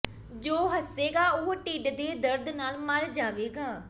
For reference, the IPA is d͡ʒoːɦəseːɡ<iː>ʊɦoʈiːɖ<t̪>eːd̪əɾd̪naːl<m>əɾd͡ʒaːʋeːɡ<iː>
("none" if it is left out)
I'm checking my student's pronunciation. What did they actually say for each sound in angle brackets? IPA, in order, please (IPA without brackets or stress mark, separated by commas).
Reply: aː, d̪, m, aː